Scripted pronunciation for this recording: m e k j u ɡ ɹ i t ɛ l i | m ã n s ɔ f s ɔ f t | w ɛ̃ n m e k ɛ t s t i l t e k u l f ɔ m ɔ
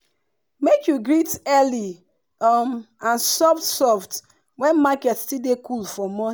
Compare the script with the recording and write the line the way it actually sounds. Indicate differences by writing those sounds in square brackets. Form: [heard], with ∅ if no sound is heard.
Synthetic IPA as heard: m e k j u ɡ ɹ i t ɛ l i | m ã n s ɔ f s ɔ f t | w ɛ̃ n m [a] k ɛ t s t i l [d] e k u l f ɔ m ɔ